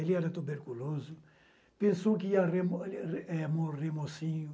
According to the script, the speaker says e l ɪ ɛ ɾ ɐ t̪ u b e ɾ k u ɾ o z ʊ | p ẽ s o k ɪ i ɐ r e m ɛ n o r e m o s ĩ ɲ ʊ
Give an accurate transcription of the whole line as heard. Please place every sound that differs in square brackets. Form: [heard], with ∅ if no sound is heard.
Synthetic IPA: e l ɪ ɛ ɾ ɐ t̪ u b e ɾ k u [l] o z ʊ | p ẽ s o k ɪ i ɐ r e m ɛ [m] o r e m o s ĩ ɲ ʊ